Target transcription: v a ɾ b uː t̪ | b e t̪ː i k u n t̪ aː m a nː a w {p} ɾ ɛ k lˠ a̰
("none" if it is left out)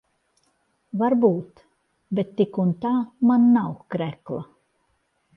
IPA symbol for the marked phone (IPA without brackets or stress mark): k